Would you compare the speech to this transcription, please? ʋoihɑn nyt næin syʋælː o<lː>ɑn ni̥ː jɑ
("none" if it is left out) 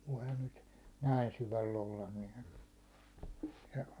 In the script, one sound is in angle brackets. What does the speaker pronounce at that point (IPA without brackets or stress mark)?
lː